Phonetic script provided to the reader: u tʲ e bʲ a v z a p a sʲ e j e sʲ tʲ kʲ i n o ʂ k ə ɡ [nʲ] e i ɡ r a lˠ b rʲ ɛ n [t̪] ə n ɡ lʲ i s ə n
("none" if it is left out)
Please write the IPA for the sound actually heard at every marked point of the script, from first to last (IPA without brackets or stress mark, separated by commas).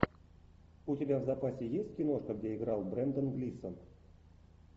dʲ, d̪